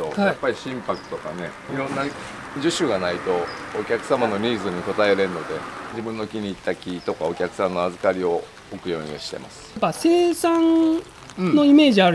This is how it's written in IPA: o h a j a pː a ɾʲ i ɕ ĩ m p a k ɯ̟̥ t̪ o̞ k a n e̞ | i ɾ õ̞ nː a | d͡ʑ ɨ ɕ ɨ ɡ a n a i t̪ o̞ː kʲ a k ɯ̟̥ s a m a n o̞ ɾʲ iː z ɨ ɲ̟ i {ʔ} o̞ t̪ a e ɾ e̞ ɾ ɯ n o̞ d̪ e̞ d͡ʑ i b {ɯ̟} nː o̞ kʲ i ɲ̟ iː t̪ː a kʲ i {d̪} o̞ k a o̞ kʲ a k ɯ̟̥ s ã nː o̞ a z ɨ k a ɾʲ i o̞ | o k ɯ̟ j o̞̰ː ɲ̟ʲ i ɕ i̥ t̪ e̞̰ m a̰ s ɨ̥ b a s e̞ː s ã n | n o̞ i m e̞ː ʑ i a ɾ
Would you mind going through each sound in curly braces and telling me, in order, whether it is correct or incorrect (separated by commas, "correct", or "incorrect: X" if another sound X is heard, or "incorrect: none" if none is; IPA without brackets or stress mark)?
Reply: incorrect: k, incorrect: ɯ̟̃, incorrect: t̪